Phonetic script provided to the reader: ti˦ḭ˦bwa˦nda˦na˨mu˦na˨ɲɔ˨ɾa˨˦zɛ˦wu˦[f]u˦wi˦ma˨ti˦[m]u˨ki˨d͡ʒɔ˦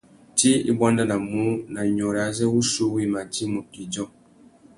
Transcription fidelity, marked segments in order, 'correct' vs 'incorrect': incorrect: s, correct

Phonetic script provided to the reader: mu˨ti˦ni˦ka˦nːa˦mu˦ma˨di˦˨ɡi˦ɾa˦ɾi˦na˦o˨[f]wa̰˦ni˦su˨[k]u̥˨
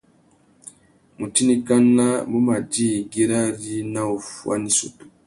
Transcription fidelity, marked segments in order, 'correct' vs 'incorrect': correct, incorrect: t

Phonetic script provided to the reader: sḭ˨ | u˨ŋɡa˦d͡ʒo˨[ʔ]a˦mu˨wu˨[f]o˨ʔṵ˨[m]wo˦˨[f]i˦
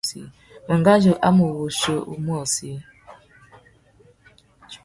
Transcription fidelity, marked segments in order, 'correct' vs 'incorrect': correct, incorrect: ʃ, correct, incorrect: s

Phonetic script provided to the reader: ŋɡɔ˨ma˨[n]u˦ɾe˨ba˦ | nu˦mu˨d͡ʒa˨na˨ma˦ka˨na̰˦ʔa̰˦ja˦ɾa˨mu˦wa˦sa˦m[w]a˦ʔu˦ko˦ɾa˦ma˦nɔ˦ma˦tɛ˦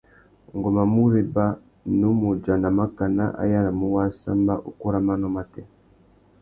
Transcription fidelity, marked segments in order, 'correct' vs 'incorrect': incorrect: m, incorrect: b

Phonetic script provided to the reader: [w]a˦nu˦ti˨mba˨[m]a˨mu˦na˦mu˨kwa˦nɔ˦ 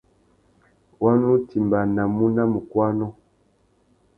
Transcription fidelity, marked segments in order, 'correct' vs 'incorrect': correct, incorrect: n

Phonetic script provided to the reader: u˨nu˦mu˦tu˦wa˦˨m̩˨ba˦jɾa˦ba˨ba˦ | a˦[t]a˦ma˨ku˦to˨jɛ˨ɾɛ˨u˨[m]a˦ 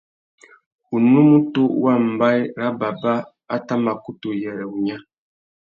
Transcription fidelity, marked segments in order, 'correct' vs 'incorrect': correct, incorrect: ɲ

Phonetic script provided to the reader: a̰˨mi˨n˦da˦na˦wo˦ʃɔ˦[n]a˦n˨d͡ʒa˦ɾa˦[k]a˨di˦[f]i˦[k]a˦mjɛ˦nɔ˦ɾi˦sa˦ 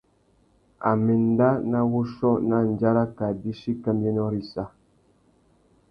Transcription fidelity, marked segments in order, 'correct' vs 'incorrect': correct, correct, incorrect: ʃ, correct

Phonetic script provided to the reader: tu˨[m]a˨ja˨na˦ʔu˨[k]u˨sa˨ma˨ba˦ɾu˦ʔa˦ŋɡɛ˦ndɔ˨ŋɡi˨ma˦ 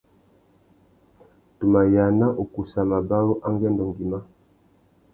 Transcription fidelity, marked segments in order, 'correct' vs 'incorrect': correct, correct

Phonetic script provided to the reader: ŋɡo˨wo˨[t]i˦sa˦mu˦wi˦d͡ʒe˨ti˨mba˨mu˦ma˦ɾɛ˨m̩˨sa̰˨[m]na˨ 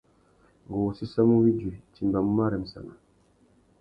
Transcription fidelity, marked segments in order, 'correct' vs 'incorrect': incorrect: s, incorrect: none

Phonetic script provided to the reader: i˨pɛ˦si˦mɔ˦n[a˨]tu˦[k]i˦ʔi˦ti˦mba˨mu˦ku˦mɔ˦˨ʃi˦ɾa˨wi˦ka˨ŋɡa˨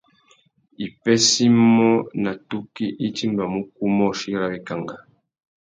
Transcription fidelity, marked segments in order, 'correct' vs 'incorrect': correct, correct

